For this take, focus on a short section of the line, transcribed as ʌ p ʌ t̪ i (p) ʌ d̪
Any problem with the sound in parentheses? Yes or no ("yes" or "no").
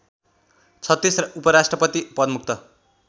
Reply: no